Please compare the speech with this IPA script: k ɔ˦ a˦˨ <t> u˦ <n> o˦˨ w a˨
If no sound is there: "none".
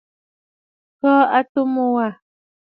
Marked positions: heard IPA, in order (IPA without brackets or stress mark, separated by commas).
t, m